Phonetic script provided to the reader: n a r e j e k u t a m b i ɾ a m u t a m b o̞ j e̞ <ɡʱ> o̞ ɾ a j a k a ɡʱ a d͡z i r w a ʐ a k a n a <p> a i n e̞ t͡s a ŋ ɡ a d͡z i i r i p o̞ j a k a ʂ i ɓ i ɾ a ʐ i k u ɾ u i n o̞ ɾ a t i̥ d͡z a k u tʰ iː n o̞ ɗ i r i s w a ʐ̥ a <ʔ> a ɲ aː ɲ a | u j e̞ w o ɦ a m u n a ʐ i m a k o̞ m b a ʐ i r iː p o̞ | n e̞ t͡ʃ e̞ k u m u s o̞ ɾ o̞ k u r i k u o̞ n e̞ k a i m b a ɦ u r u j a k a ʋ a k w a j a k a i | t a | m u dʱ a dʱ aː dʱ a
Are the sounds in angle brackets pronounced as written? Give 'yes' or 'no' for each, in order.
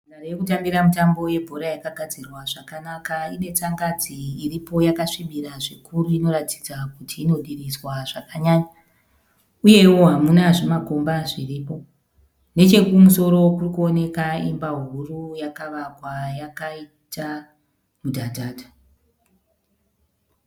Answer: no, no, no

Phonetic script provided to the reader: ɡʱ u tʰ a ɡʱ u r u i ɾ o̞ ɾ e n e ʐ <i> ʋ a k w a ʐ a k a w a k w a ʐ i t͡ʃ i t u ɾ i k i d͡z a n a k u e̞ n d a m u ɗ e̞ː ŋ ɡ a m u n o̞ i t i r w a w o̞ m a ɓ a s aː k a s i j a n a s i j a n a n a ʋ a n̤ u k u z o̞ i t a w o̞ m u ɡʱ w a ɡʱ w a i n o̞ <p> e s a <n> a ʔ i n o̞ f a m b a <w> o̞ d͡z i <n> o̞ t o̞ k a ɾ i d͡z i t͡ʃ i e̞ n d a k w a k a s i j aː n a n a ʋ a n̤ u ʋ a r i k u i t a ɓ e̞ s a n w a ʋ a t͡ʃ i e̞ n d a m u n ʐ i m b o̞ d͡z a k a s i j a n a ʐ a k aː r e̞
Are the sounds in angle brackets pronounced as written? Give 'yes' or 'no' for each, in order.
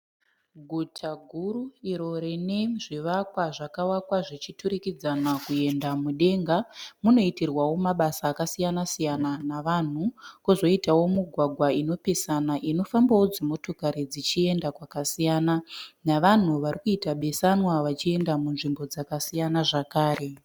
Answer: yes, yes, yes, yes, no

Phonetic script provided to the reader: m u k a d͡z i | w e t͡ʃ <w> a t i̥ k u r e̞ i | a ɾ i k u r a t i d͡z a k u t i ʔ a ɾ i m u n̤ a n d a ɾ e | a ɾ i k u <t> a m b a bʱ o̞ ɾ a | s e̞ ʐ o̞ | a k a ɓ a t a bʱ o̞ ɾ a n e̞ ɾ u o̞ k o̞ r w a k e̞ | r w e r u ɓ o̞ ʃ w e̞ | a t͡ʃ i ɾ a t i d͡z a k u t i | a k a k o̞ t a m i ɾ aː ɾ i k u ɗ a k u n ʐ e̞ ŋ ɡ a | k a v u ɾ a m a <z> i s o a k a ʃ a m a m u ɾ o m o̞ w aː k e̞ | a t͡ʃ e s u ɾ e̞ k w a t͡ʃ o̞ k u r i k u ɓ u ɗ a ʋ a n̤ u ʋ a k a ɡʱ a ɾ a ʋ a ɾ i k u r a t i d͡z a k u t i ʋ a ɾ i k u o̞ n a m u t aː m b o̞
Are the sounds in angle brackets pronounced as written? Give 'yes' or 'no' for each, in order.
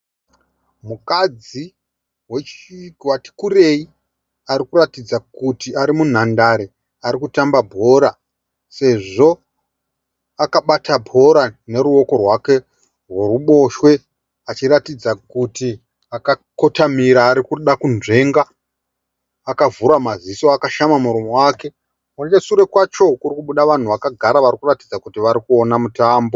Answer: yes, yes, yes

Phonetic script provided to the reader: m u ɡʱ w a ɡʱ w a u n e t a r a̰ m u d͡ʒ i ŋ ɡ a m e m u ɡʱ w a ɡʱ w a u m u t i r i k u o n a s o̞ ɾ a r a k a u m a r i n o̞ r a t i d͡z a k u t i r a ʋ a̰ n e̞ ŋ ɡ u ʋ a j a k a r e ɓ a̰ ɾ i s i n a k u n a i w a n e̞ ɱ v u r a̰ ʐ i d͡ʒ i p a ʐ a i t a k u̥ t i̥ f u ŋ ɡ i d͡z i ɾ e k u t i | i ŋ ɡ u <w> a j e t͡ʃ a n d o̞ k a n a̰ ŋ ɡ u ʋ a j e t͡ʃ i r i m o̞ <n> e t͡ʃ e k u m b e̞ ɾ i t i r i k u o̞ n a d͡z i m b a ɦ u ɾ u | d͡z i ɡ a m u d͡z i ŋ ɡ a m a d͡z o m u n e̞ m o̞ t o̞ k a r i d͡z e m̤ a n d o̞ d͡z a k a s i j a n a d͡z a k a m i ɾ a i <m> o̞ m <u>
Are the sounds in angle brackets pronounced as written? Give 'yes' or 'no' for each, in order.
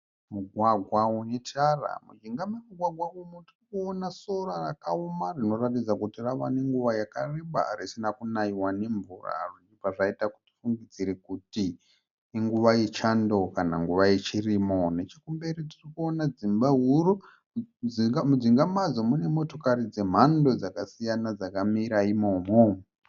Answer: no, yes, yes, no

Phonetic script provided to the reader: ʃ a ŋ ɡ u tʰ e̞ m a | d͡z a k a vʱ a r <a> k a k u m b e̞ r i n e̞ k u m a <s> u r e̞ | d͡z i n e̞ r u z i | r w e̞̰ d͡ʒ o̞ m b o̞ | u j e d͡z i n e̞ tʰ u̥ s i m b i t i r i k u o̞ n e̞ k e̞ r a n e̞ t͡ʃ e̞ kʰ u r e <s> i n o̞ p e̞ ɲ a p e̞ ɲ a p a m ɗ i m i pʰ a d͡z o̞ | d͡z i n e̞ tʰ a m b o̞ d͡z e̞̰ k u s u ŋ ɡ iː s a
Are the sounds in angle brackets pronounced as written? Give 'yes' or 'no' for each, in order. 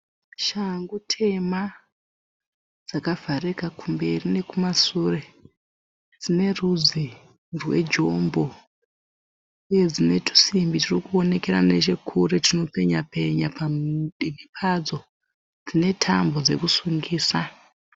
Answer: no, yes, no

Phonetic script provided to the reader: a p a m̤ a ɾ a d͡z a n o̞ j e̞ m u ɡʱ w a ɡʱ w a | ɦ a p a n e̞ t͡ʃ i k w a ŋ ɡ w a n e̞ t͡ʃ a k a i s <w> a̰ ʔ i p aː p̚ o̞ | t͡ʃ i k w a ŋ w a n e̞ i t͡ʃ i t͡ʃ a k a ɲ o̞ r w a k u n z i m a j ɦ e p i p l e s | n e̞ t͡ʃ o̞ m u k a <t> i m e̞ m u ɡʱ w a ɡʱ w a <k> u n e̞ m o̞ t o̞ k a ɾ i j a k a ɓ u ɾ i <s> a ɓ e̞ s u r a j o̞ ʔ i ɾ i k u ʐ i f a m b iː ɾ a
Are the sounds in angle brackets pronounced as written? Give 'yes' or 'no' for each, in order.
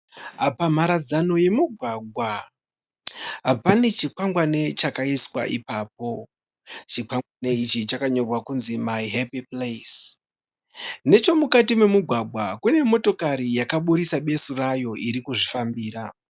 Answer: yes, yes, yes, yes

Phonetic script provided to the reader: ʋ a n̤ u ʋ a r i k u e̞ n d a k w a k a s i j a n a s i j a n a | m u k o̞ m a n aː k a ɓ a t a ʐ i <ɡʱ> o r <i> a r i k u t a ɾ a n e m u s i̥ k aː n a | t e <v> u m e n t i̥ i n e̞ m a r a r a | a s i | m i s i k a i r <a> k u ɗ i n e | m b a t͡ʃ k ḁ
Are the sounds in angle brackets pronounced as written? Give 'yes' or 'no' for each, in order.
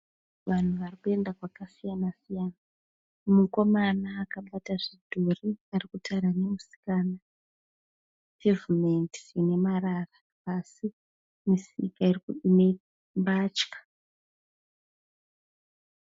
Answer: no, yes, yes, no

